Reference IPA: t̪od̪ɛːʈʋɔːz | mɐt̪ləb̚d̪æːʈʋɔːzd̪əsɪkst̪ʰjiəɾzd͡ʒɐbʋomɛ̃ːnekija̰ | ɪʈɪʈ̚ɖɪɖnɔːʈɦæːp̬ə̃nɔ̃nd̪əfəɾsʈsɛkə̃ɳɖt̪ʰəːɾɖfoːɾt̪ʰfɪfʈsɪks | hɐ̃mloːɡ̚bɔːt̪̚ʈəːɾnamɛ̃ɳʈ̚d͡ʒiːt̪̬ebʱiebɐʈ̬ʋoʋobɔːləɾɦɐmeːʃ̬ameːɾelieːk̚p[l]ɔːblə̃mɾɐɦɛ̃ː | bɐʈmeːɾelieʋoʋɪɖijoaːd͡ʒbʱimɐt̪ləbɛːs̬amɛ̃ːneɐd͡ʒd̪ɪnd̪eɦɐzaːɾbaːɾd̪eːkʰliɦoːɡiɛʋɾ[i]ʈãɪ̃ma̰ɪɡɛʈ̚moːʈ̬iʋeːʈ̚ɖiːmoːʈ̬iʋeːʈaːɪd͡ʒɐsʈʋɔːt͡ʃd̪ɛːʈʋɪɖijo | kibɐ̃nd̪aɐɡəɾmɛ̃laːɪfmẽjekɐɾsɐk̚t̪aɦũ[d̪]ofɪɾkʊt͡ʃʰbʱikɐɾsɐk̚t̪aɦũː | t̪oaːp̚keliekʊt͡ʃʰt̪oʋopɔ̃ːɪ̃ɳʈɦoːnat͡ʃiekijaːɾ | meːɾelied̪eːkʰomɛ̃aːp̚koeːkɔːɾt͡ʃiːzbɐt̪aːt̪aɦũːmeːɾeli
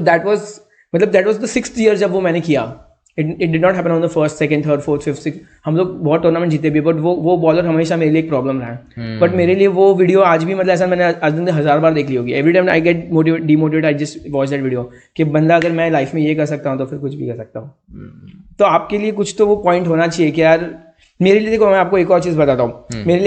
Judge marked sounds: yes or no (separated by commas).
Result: no, yes, no